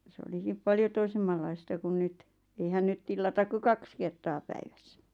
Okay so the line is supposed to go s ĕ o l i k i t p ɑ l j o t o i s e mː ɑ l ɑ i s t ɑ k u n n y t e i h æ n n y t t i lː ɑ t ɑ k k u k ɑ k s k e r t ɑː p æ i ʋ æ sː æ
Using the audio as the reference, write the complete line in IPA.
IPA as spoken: s ĕ o l i k i p p ɑ l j o t o i s e mː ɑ lː ɑ i s t ɑ k u n n y t e i h æ n n y t t i lː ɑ t ɑ k k u k ɑ k s k e r t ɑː p æ i ʋ æ sː æ